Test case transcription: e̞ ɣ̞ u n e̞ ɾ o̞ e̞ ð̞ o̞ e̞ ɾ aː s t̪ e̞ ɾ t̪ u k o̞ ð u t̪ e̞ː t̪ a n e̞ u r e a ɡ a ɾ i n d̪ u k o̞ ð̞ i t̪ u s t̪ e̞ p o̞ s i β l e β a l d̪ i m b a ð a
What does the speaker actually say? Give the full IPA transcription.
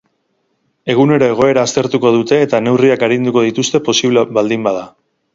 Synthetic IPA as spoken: e̞ ɣ̞ u n e̞ ɾ o̞ e̞ ɣ̞ o̞ e̞ ɾ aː s t̪ e̞ ɾ t̪ u k o̞ ð u t̪ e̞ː t̪ a n e̞ w r i a k a ɾ i n d̪ u k o̞ ð̞ i t̪ u s t̪ e̞ p o̞ s i β l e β a l d̪ i m b a ð a